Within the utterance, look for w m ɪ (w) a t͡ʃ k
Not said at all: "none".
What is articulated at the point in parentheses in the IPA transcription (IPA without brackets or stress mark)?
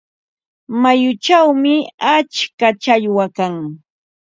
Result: none